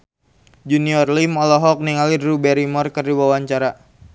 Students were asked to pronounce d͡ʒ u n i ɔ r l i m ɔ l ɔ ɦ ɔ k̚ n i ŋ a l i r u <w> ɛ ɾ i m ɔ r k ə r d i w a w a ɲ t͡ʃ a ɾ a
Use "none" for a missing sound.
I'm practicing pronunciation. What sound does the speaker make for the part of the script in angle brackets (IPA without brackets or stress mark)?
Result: b